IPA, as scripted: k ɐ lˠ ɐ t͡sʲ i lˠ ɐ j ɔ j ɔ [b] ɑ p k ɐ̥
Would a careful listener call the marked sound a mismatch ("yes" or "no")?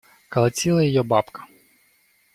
no